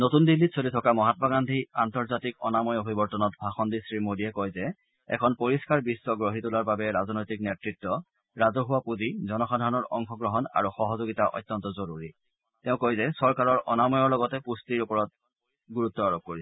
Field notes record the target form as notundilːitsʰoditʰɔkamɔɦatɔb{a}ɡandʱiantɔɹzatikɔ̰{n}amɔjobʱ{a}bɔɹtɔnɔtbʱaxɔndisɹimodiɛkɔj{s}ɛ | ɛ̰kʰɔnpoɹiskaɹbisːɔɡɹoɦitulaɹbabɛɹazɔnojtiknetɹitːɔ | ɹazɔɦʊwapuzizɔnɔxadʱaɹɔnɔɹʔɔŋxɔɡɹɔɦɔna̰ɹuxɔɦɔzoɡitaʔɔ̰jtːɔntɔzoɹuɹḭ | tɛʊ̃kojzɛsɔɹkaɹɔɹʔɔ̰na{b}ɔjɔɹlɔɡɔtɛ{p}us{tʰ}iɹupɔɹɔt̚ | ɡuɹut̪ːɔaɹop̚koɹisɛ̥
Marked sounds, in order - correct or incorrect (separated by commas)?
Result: correct, correct, incorrect, incorrect, incorrect, correct, incorrect